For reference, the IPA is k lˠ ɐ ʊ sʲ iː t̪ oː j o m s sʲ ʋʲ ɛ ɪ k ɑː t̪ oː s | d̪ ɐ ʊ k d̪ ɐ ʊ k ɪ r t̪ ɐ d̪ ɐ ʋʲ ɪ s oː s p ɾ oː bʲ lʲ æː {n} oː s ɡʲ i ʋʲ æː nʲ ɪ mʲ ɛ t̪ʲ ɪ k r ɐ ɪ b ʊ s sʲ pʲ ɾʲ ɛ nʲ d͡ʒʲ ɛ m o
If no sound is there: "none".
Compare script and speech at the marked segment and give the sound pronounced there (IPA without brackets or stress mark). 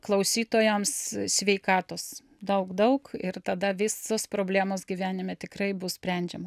m